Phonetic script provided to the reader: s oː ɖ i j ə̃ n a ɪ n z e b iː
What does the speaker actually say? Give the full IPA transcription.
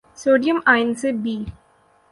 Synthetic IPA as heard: s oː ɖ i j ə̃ m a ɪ n s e b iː